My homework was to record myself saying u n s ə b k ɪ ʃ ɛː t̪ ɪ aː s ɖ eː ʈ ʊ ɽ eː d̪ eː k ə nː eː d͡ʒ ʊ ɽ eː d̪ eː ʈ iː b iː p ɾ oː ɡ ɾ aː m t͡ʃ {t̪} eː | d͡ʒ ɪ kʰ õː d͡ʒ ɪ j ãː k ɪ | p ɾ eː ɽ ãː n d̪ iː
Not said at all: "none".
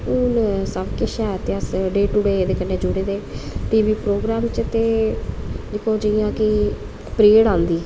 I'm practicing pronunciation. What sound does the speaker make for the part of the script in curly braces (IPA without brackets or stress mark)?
t̪